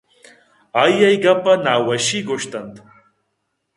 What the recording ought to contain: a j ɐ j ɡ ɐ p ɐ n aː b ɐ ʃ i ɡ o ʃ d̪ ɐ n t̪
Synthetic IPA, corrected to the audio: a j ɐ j ɡ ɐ p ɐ n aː w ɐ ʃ i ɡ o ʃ t̪ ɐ n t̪